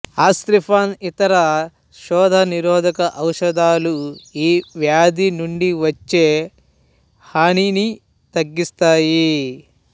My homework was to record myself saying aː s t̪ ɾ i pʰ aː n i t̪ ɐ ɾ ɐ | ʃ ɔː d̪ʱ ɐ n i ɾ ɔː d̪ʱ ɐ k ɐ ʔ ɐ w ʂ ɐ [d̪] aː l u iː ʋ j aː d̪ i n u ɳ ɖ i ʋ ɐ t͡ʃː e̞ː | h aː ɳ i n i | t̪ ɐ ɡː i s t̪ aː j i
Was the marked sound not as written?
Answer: no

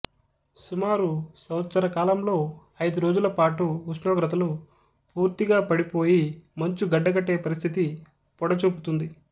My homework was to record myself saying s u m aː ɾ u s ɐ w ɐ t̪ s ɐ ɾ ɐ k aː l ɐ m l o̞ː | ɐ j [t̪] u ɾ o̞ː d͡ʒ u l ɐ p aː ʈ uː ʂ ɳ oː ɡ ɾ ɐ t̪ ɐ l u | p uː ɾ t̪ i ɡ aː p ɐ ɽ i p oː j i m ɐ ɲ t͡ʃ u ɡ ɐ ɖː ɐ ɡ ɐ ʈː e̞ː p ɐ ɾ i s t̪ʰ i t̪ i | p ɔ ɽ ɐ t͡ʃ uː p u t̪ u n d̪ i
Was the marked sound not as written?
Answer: yes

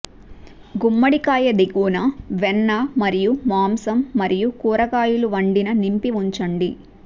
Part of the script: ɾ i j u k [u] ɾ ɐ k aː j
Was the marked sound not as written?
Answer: yes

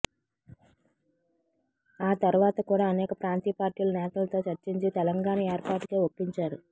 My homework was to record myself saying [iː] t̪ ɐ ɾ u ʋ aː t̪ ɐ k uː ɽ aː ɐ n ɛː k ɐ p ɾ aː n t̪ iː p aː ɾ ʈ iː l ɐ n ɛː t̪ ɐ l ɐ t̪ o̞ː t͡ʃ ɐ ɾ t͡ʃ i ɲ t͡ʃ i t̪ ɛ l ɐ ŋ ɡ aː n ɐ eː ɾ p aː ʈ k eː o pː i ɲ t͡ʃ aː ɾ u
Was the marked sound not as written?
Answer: yes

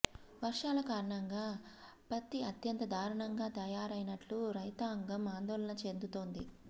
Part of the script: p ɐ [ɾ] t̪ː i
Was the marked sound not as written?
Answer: yes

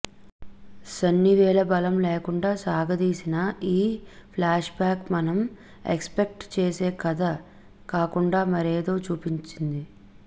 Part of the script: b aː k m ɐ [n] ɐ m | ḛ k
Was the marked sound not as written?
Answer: no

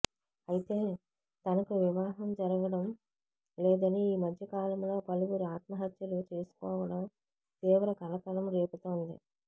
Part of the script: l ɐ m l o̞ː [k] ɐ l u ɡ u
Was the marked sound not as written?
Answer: yes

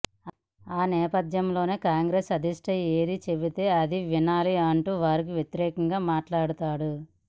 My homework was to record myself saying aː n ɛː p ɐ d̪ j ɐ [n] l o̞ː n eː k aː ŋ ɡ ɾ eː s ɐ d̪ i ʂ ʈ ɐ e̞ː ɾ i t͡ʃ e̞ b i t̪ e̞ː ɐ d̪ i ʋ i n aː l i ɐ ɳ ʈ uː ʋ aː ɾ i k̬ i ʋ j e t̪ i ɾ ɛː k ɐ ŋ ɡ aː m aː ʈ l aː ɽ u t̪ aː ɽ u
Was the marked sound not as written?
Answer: yes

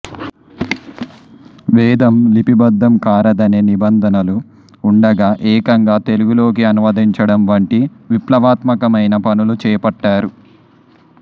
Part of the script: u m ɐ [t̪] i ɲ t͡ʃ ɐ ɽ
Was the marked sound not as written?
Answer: yes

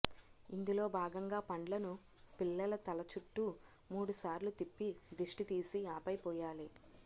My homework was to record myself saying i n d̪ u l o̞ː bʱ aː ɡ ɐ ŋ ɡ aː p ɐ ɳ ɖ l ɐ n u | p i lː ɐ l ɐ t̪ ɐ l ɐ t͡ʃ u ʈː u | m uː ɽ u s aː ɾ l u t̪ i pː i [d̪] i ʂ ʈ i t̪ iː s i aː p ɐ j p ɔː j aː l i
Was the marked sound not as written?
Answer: no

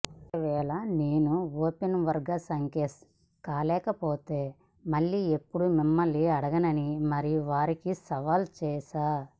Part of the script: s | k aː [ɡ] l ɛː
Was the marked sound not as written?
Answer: yes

